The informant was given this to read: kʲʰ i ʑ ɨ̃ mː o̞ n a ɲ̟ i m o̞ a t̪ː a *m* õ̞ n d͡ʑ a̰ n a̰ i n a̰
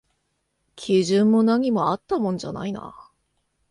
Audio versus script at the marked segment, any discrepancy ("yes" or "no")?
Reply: no